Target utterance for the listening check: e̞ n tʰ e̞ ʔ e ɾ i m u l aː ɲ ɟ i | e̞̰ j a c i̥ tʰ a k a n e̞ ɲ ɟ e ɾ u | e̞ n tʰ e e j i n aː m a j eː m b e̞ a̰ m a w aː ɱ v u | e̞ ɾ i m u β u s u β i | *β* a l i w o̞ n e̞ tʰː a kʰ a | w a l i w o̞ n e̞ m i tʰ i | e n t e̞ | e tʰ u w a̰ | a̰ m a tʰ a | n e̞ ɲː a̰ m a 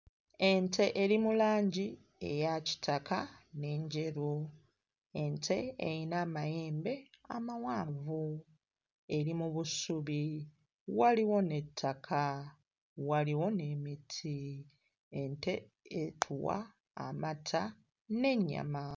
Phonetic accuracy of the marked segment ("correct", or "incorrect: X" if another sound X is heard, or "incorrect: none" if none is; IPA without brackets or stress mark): incorrect: w